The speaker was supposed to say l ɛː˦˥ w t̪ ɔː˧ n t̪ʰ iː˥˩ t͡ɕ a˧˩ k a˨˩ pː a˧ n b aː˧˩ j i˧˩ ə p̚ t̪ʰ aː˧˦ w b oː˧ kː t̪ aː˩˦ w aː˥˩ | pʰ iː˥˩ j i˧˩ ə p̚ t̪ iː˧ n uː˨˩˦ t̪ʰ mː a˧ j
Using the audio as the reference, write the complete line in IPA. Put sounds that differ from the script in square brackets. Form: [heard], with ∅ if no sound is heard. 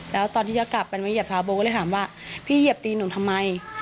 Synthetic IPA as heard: l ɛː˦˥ w t̪ ɔː˧ n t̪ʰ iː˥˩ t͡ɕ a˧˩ k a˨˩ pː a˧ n [m] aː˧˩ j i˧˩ ə p̚ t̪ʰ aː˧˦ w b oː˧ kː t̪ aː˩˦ w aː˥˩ | pʰ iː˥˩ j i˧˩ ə p̚ t̪ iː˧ n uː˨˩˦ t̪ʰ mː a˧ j